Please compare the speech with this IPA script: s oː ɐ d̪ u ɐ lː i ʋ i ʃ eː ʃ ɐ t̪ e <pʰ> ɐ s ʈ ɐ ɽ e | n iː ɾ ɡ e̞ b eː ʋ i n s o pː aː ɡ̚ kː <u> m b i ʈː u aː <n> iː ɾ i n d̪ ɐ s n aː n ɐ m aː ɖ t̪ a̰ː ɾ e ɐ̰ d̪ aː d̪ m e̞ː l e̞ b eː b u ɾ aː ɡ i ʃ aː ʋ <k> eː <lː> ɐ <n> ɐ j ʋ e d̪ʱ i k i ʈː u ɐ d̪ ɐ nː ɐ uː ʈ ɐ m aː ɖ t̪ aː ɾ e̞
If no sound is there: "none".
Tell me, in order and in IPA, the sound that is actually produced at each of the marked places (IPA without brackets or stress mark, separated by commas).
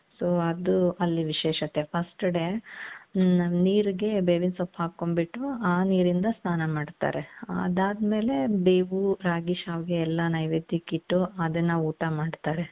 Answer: pʰ, o, n, ɡ, lː, n